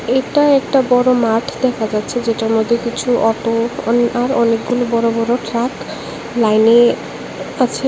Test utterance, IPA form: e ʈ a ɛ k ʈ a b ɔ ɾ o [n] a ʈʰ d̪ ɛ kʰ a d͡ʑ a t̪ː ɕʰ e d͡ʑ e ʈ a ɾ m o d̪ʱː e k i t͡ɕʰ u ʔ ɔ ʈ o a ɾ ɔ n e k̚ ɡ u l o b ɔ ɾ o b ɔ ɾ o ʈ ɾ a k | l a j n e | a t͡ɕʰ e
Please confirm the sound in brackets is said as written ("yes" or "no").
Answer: no